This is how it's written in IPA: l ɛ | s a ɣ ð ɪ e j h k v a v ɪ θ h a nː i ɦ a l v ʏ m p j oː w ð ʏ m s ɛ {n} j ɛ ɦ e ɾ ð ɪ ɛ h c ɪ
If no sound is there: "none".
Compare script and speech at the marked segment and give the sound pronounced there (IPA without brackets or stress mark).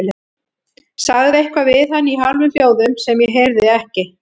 m